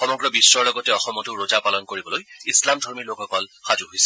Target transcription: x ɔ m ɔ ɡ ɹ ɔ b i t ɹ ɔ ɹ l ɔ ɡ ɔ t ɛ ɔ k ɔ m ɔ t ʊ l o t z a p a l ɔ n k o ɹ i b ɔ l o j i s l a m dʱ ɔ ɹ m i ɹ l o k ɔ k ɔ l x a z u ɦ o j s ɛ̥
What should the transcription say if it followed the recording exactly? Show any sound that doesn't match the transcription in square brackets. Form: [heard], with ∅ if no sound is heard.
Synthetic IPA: x ɔ m ɔ ɡ ɹ ɔ b i [s] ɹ ɔ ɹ l ɔ ɡ ɔ t ɛ ɔ [x] ɔ m ɔ t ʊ [ɹ] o [∅] z a p a l ɔ n k o ɹ i b ɔ l o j i s l a m dʱ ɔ ɹ m i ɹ l o k ɔ k ɔ l x a z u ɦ o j s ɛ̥